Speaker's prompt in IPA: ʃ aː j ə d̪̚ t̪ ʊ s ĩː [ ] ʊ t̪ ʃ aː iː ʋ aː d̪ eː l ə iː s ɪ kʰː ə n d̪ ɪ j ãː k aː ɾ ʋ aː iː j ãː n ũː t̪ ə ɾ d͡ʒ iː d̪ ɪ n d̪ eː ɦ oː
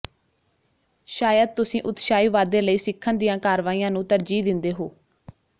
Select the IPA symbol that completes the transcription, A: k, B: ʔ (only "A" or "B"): B